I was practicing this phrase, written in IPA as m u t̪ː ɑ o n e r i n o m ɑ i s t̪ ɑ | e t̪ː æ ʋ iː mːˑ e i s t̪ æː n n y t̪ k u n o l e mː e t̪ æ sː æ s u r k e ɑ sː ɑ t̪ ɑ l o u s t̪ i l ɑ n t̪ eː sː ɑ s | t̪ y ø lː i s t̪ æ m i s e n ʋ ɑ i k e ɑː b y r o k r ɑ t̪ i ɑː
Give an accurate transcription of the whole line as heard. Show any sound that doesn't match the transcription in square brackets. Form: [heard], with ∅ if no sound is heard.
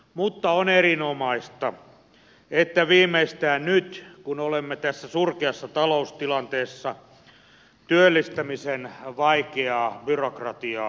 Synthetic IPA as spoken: m u t̪ː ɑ o n e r i n o m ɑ i s t̪ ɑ | e t̪ː æ ʋ iː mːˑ e i s t̪ æː n n y t̪ k u n o l e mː e t̪ æ sː æ s u r k e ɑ sː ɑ t̪ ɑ l o u s t̪ i l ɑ n t̪ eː sː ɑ [∅] | t̪ y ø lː i s t̪ æ m i s e n ʋ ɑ i k e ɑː b y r o k r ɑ t̪ i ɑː